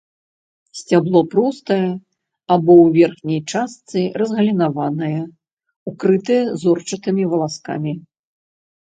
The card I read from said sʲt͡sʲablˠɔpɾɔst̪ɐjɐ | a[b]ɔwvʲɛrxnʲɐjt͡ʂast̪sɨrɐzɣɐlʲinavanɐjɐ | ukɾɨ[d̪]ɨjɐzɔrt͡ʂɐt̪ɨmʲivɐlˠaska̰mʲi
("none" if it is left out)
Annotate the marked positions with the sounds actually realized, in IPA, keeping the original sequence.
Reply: b, t̪

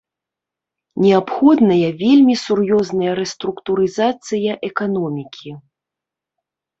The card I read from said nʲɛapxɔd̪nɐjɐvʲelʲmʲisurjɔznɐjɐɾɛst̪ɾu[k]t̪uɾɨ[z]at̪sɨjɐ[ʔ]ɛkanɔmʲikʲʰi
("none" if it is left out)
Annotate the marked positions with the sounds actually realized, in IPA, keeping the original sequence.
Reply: k, z, ʔ

